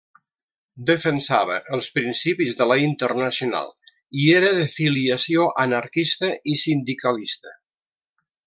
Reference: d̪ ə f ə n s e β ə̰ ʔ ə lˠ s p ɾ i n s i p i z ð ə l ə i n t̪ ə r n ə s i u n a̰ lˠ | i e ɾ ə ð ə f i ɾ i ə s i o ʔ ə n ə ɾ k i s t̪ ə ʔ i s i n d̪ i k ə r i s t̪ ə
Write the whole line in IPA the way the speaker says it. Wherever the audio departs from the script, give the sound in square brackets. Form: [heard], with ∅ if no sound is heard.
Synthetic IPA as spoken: d̪ ə f ə n s [a] β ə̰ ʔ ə lˠ s p ɾ i n s i p i z ð ə l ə i n t̪ ə r n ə s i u n a̰ lˠ | i e ɾ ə ð ə f i [l] i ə s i o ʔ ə n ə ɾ k i s t̪ ə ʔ i s i n d̪ i k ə [l] i s t̪ ə